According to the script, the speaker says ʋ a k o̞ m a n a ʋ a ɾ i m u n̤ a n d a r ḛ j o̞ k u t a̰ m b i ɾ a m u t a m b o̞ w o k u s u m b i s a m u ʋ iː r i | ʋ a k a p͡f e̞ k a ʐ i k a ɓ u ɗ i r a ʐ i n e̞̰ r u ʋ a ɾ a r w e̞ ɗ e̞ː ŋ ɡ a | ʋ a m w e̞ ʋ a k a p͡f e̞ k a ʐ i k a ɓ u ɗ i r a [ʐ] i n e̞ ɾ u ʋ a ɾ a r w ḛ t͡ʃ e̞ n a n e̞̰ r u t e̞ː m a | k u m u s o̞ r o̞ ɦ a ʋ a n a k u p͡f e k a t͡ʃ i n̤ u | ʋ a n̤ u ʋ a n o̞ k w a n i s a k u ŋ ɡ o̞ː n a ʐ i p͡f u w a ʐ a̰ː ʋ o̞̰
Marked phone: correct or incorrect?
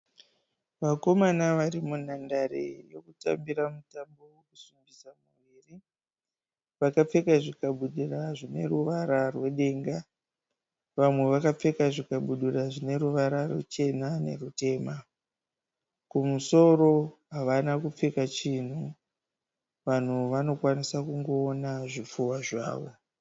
correct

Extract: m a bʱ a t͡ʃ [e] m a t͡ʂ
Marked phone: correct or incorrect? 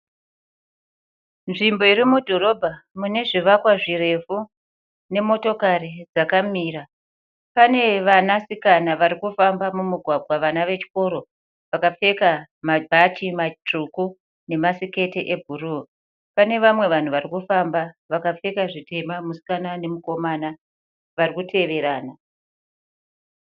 incorrect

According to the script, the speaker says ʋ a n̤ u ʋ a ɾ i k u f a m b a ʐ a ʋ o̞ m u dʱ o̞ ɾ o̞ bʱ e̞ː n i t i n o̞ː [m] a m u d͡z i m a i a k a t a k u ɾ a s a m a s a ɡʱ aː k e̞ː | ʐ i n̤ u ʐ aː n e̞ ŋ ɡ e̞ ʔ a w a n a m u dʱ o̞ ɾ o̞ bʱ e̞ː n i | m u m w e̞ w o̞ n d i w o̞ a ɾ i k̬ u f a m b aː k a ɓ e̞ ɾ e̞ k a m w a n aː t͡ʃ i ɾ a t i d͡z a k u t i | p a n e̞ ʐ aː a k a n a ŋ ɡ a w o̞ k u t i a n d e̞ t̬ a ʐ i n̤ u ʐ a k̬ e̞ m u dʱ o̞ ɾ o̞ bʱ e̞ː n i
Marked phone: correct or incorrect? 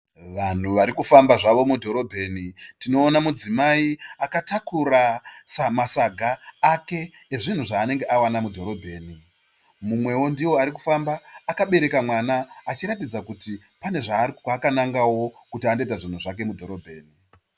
incorrect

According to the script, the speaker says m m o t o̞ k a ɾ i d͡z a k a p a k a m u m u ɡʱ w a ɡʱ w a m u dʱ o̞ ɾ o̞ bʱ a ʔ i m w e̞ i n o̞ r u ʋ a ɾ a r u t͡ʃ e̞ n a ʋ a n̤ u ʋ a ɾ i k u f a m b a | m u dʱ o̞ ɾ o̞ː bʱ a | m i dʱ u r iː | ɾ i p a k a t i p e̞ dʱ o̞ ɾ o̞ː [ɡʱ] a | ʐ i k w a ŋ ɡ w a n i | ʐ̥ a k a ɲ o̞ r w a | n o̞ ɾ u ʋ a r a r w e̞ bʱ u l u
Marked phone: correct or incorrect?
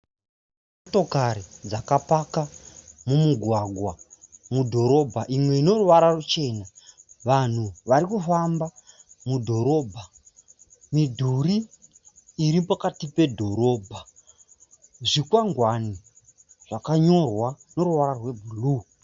incorrect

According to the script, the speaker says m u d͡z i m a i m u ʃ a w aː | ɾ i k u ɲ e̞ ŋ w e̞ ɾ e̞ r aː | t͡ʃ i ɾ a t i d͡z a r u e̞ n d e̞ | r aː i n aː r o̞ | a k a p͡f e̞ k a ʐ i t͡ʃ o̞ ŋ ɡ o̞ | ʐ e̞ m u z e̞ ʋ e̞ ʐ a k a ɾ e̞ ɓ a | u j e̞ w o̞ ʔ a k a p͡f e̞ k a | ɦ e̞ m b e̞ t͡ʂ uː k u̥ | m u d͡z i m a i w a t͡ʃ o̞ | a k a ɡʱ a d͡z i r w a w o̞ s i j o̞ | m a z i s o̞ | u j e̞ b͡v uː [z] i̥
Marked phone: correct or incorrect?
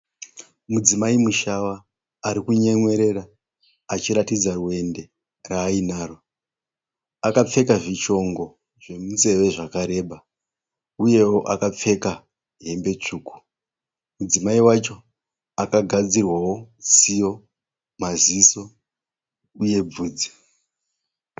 incorrect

